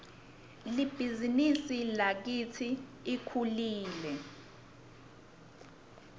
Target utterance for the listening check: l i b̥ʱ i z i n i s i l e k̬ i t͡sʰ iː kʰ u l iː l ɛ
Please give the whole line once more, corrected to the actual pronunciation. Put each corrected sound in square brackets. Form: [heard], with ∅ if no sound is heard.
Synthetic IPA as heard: l i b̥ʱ i z i n i s i l [a] k̬ i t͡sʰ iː kʰ u l iː l ɛ